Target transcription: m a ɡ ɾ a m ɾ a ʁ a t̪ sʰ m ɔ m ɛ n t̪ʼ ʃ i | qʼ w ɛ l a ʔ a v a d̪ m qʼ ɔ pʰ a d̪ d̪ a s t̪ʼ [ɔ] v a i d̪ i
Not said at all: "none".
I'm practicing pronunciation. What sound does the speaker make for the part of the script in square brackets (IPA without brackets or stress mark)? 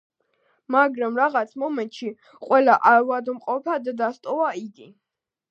ɔ